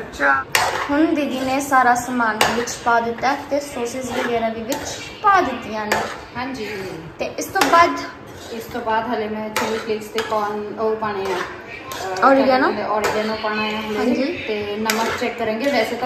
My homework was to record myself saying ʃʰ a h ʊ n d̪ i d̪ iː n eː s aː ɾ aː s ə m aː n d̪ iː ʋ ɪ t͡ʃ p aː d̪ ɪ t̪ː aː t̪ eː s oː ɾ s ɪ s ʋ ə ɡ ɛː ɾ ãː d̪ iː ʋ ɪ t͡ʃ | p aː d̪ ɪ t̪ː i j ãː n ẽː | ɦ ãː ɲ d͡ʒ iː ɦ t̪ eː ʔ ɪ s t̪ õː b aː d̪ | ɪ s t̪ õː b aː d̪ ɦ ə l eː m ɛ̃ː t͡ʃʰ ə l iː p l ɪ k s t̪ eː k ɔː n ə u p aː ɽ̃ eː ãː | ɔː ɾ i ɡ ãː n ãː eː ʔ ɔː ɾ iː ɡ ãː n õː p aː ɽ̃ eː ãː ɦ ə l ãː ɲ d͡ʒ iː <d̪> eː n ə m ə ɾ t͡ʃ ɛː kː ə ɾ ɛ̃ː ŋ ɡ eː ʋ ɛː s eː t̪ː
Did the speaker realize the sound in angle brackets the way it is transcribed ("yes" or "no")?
no